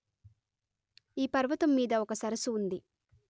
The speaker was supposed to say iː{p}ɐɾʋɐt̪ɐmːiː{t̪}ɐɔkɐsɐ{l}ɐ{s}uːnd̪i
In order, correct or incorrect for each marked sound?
correct, incorrect: d̪, incorrect: ɾ, correct

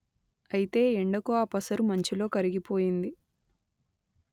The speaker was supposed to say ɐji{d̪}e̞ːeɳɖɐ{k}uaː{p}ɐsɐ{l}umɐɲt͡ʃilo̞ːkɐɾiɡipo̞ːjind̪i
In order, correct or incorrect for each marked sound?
incorrect: t̪, correct, correct, incorrect: ɾ

